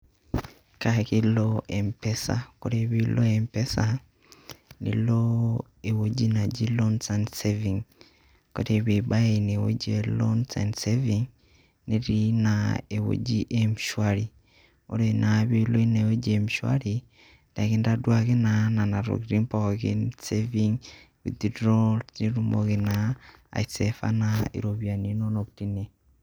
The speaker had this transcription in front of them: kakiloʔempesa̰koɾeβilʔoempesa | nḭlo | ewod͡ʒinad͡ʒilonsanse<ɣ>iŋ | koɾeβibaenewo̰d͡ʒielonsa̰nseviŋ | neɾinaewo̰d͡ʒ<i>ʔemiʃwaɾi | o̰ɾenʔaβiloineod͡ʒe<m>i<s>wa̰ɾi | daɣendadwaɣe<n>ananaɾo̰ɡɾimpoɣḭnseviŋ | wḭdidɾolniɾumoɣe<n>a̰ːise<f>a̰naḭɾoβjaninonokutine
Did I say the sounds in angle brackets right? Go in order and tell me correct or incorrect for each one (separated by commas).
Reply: incorrect, correct, correct, incorrect, correct, correct, correct